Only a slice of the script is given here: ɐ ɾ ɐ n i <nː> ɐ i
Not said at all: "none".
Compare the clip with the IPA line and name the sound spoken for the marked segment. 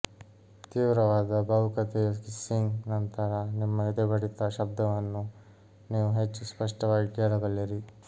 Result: mː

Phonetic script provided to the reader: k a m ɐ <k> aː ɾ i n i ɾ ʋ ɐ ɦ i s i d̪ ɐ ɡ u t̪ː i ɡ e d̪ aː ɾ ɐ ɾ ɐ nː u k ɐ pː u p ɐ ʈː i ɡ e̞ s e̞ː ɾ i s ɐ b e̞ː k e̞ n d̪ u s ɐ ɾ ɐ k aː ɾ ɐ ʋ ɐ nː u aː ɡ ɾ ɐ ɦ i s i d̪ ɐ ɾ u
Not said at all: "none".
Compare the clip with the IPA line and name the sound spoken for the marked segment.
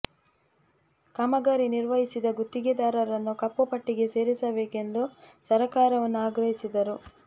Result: ɡ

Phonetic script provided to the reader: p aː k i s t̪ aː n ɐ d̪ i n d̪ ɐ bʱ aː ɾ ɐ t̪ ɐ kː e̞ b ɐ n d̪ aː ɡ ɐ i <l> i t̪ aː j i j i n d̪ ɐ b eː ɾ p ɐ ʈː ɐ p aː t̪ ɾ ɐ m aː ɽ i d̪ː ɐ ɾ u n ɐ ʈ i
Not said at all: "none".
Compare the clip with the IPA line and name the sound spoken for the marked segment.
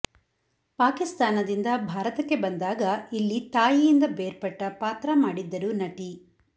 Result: lː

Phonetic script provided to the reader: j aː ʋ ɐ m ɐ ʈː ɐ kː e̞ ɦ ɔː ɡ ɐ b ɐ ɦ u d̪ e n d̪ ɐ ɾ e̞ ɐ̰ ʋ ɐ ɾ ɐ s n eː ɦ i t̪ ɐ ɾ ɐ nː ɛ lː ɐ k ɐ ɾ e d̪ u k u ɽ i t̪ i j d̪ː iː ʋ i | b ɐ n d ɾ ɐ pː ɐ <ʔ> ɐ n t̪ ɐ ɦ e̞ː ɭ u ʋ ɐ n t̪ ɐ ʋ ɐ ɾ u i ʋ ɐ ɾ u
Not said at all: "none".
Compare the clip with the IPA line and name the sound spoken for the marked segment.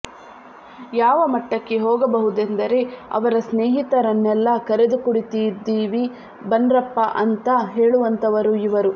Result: ʔ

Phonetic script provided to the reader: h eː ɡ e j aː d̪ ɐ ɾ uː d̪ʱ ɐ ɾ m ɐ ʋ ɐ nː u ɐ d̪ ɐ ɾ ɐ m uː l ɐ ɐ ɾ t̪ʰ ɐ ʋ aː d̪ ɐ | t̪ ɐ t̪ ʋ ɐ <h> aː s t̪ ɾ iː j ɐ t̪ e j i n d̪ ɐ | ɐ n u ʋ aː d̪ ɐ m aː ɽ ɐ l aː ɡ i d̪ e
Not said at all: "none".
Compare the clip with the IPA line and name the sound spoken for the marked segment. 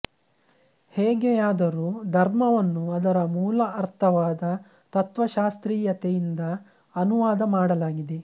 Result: ʃ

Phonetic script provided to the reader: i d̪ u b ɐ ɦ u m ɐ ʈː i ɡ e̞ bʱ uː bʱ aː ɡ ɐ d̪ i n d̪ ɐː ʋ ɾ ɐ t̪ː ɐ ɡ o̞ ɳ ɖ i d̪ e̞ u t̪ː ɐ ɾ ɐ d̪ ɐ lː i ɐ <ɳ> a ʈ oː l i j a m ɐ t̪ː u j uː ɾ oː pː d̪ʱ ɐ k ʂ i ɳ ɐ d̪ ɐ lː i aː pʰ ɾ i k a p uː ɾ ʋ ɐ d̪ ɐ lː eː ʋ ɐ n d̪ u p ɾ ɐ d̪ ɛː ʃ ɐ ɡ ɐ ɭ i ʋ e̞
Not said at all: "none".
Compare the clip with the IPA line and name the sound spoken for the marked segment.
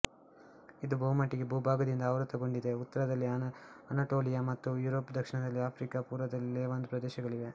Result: n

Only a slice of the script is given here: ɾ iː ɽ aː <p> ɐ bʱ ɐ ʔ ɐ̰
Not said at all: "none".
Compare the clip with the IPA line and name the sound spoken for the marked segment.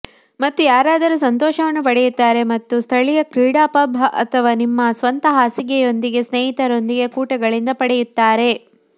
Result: p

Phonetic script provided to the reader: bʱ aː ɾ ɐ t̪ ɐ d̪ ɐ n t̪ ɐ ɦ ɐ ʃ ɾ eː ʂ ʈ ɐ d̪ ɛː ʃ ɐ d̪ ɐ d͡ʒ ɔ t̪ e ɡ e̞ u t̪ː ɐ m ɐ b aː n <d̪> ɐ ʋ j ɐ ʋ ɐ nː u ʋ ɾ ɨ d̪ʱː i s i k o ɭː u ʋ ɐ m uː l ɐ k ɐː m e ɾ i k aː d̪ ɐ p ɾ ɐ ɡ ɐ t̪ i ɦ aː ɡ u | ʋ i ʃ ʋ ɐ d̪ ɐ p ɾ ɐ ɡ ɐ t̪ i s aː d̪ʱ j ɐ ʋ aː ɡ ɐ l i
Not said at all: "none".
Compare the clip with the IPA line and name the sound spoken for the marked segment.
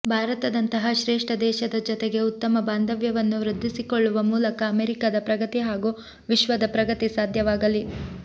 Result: d̪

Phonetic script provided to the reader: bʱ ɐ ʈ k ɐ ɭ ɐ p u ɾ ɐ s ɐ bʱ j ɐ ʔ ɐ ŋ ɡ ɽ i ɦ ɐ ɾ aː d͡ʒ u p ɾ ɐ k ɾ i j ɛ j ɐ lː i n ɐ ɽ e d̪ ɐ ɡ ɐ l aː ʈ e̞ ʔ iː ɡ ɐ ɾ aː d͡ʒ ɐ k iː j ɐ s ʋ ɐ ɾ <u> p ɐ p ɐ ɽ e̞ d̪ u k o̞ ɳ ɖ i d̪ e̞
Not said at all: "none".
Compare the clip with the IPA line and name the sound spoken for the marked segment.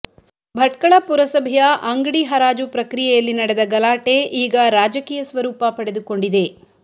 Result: uː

